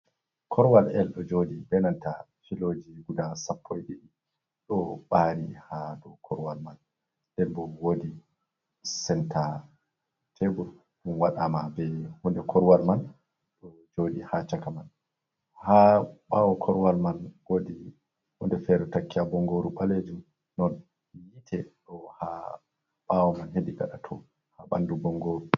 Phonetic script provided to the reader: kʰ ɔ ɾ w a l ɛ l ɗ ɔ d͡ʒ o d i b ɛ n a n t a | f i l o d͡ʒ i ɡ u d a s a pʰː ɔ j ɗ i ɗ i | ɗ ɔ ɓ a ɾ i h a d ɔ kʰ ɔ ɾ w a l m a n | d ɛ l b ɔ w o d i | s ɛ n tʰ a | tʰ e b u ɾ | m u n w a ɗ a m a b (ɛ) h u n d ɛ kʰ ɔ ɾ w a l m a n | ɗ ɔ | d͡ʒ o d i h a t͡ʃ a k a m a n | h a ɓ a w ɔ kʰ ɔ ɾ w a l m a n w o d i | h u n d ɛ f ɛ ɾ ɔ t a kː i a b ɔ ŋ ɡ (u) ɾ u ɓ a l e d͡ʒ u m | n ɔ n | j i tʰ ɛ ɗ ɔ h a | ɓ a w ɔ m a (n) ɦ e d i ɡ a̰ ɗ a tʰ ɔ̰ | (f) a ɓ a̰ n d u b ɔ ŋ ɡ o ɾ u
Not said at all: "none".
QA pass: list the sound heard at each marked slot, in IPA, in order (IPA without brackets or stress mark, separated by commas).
ɛ, o, n, h